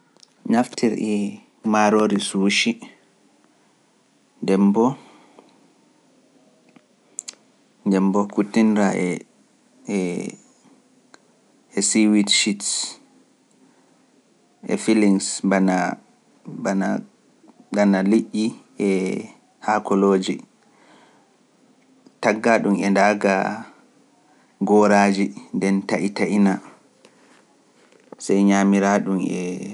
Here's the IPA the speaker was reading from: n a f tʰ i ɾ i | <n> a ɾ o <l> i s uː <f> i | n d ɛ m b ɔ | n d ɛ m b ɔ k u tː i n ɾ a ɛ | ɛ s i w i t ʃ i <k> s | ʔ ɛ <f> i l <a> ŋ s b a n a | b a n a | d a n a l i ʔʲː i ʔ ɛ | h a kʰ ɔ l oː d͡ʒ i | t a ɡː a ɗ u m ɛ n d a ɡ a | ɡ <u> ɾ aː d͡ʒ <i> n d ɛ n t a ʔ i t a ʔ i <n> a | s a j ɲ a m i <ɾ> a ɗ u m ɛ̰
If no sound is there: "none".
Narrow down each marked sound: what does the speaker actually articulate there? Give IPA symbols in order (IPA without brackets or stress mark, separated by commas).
m, ɾ, ʃ, t, f, i, ɔ, i, n, ɾ